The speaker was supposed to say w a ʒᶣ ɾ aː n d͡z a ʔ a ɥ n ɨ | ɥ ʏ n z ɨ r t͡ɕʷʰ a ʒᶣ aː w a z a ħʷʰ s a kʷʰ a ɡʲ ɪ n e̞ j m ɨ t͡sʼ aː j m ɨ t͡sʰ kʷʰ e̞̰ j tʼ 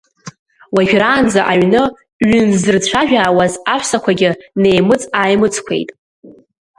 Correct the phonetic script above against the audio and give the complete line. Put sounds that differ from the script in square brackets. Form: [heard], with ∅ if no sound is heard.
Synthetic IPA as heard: w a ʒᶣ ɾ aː n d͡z a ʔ a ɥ n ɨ | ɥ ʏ n z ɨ r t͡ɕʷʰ a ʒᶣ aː w a z a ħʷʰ s a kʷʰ a ɡʲ ɪ n e̞ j m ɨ t͡sʼ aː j m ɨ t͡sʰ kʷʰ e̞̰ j tʼ